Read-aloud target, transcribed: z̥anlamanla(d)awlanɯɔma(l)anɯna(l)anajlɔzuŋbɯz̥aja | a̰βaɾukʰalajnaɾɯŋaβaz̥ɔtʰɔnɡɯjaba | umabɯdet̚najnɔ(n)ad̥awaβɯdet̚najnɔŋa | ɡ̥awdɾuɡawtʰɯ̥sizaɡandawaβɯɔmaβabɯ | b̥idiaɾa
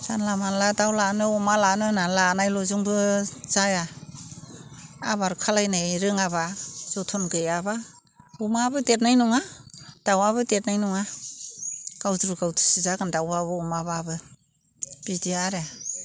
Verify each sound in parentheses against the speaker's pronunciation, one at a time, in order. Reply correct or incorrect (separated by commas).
correct, correct, correct, incorrect